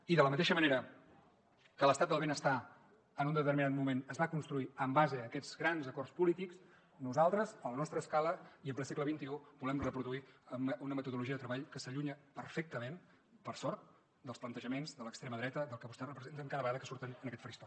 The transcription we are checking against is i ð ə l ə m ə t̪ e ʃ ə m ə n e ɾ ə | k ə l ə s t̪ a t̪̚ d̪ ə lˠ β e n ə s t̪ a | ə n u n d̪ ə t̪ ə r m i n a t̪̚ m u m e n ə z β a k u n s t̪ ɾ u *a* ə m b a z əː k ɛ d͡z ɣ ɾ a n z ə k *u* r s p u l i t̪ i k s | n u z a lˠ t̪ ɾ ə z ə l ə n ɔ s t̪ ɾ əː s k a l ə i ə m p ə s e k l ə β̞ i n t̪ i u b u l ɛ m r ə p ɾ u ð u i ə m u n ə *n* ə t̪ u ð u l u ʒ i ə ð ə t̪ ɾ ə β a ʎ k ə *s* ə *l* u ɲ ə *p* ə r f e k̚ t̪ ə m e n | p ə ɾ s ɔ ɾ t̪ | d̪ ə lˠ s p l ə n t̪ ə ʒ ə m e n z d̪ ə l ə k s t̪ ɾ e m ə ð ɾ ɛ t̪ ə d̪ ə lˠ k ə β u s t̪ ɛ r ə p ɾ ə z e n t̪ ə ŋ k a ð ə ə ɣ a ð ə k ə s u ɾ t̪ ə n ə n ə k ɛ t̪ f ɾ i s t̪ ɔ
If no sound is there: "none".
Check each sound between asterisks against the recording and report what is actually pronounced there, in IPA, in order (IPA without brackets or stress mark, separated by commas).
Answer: i, ɔ, m, s, ʎ, p